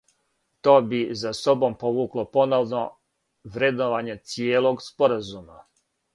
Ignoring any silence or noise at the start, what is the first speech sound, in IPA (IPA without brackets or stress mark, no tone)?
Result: t̪